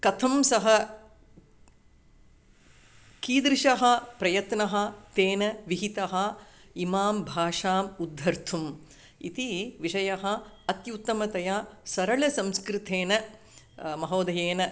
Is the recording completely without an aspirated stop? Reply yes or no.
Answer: no